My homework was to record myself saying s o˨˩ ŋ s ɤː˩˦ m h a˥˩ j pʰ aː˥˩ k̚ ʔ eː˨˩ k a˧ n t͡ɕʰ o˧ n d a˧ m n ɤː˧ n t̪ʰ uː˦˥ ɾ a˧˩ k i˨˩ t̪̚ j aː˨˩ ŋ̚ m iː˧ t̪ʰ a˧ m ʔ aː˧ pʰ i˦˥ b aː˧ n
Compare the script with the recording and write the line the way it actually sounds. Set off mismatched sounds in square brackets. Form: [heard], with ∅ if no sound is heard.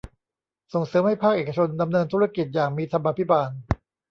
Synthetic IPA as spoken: s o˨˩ ŋ s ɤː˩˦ m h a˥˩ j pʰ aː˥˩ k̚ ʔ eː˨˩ k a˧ [∅] t͡ɕʰ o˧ n d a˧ m n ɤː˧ n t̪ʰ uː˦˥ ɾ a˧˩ k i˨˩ t̪̚ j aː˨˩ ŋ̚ m iː˧ t̪ʰ a˧ m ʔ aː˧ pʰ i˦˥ b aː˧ n